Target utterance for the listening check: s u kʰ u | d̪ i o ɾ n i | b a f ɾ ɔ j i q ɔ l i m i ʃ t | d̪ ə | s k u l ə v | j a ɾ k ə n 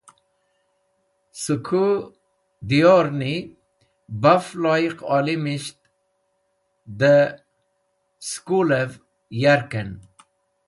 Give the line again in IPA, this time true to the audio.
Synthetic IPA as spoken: s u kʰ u | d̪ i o ɾ n i | b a f l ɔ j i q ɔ l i m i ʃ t | d̪ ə | s k u l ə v | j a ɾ k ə n

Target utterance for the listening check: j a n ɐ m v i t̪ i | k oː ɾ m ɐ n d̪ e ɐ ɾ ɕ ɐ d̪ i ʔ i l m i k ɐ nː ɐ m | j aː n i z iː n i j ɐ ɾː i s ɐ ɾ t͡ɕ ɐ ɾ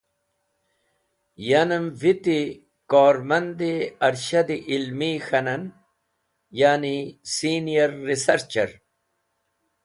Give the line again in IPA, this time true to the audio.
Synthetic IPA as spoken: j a n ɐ m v i t̪ i | k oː ɾ m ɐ n d̪ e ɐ ɾ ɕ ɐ d̪ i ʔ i l m i x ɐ n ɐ n | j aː n i s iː n i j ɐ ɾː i s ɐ ɾ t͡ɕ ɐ ɾ

